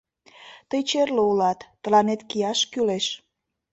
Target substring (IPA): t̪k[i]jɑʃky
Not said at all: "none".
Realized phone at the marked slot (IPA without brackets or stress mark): i